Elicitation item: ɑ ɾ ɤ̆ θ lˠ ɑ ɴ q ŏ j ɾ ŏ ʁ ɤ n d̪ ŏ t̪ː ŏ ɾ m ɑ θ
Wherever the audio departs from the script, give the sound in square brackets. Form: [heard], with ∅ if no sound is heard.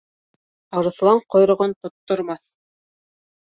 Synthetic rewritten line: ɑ ɾ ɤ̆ θ lˠ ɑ ɴ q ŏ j ɾ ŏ ʁ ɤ n [t̪] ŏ t̪ː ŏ ɾ m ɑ θ